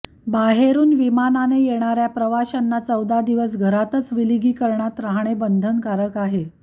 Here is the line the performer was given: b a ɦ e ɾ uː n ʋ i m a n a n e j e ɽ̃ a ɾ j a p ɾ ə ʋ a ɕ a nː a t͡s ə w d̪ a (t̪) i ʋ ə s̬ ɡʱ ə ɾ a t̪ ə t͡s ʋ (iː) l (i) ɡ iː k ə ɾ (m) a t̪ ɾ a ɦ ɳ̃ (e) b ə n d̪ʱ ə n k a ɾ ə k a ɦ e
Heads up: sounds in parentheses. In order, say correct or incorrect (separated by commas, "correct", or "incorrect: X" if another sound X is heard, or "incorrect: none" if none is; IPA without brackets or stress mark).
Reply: incorrect: d̪, incorrect: i, correct, incorrect: ɳ, correct